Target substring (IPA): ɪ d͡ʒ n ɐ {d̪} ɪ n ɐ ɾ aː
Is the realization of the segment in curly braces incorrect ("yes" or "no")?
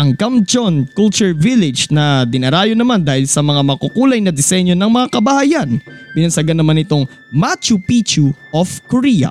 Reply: no